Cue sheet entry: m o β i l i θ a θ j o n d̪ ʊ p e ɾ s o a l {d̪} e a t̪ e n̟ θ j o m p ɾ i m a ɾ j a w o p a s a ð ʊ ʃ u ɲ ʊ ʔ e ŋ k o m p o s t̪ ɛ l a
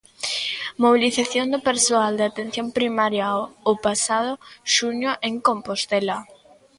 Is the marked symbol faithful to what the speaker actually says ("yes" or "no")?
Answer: yes